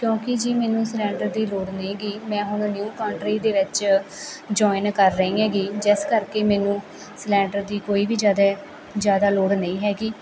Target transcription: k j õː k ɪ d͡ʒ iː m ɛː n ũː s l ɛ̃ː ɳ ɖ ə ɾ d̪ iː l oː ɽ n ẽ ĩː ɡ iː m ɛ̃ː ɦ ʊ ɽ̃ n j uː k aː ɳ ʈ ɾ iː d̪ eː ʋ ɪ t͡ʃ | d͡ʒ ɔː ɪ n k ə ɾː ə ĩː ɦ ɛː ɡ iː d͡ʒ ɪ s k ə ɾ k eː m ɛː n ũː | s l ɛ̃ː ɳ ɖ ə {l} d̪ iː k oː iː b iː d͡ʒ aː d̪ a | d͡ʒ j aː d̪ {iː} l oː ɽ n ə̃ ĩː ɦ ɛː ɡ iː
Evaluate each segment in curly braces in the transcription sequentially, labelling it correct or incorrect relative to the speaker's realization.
incorrect: ɾ, incorrect: aː

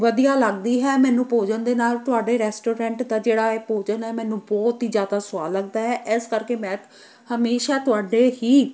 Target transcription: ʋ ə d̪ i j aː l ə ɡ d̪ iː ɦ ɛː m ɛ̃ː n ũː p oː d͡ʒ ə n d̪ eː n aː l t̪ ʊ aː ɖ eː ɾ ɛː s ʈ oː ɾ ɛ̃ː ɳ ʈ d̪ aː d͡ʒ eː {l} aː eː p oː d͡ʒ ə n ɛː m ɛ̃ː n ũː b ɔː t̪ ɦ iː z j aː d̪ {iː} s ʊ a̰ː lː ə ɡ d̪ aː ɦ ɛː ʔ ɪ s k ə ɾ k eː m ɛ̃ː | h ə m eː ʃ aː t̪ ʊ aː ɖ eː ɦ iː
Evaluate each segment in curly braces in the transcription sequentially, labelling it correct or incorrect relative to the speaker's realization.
incorrect: ɽ, incorrect: aː

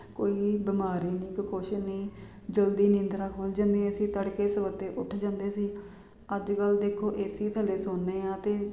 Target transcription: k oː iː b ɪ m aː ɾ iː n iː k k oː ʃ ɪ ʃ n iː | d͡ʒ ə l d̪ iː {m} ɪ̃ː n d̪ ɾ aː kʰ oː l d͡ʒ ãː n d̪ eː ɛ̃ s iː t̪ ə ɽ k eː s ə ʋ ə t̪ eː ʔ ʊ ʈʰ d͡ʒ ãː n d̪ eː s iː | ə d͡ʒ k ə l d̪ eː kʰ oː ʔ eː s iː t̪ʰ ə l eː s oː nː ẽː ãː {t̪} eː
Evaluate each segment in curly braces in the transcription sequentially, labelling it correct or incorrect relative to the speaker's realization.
incorrect: n, correct

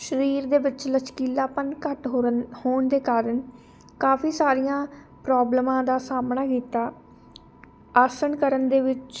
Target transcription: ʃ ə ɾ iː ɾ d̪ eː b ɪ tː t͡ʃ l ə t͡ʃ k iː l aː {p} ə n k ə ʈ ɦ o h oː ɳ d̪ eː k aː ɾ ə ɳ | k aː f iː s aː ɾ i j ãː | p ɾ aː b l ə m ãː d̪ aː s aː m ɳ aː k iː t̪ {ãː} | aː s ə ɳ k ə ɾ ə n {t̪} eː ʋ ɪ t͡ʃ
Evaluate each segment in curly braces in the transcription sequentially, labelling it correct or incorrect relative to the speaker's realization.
correct, incorrect: aː, incorrect: d̪

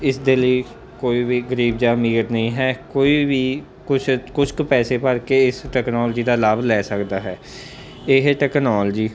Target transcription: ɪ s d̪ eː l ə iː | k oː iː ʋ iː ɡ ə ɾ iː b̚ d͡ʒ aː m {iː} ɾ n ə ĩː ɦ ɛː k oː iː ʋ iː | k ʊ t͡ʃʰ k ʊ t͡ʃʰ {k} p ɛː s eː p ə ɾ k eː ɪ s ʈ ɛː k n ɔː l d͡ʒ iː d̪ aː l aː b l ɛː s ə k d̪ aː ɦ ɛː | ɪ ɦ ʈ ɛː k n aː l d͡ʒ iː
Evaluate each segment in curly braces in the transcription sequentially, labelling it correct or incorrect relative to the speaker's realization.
correct, correct

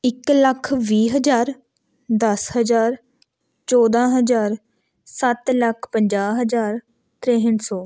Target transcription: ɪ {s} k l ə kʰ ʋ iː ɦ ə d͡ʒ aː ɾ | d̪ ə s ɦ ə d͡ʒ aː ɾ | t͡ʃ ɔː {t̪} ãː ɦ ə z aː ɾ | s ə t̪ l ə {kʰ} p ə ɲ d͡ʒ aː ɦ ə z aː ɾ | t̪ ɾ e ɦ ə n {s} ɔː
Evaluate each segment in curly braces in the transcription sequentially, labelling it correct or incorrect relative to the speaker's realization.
incorrect: none, incorrect: d̪, correct, correct

